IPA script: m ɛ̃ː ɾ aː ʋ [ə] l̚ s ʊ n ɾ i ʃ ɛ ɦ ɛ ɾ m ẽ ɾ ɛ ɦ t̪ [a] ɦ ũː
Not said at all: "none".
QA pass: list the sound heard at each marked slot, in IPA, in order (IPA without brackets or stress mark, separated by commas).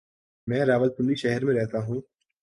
ə, a